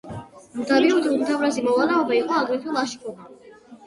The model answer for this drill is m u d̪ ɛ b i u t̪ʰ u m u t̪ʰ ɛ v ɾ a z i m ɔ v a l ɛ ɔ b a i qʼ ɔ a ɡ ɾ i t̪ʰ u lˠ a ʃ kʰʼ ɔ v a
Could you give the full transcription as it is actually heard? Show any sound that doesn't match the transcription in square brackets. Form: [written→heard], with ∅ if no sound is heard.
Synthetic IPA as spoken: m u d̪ [ɛ→a] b i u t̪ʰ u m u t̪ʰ [ɛ→a] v ɾ a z i m ɔ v a l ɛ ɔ b a i qʼ ɔ a ɡ ɾ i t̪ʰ u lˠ a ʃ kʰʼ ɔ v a